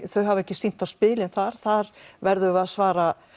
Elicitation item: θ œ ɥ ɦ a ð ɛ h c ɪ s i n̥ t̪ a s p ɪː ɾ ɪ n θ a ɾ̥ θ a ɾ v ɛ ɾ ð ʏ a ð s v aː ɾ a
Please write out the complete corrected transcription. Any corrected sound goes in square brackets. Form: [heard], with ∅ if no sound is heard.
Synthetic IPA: θ œ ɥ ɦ a [v] ɛ h c ɪ s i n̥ t̪ a s p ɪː [l] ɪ n θ a ɾ̥ θ a ɾ v ɛ ɾ ð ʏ a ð s v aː ɾ a